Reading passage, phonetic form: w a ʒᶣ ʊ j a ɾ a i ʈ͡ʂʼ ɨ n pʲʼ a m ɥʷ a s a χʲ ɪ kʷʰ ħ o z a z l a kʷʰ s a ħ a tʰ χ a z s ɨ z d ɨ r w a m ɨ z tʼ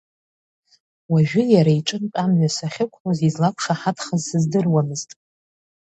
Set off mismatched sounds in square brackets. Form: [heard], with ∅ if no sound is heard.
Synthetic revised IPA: w a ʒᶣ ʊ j a ɾ a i ʈ͡ʂʼ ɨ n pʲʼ a m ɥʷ a s a χʲ ɪ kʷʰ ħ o z [i] z l a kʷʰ [ʂ] a ħ a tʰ χ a z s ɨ z d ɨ r w a m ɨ z tʼ